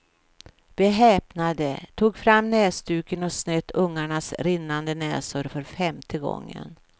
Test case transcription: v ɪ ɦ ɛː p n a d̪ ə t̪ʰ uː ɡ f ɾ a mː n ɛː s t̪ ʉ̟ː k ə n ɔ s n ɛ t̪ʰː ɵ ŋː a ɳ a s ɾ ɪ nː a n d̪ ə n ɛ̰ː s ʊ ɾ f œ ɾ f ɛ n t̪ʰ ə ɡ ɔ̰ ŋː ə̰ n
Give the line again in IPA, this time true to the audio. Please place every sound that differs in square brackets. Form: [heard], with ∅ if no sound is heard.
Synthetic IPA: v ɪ ɦ ɛː p n a d̪ ə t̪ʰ uː ɡ f ɾ a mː n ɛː s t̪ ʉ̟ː k ə n ɔ s n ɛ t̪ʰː ɵ ŋː a ɳ a s ɾ ɪ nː a n d̪ ə n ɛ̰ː s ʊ ɾ f œ ɾ f ɛ [m] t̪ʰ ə ɡ ɔ̰ ŋː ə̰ n